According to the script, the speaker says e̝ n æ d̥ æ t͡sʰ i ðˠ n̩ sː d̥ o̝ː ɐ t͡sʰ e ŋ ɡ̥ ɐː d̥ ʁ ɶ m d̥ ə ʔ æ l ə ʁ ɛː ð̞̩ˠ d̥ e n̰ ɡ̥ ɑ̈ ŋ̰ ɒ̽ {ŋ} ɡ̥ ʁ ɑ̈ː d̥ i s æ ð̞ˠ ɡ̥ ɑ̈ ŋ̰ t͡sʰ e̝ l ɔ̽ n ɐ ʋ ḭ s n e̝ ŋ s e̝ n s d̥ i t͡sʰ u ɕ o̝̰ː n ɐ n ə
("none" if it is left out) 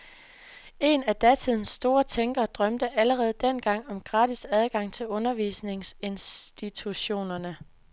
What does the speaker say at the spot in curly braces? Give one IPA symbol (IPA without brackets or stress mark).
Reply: m